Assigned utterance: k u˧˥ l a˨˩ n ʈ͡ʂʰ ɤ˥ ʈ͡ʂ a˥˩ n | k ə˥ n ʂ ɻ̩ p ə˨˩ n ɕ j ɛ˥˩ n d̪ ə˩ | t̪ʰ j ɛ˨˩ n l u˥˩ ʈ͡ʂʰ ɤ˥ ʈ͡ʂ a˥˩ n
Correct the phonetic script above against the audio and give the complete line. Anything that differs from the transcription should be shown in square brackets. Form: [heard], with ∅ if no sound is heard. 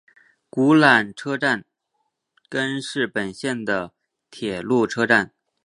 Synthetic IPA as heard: k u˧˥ l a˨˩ n ʈ͡ʂʰ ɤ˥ ʈ͡ʂ a˥˩ n | k ə˥ n ʂ ɻ̩ p ə˨˩ n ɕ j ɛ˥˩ n d̪ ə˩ | t̪ʰ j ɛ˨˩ [∅] l u˥˩ ʈ͡ʂʰ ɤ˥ ʈ͡ʂ a˥˩ n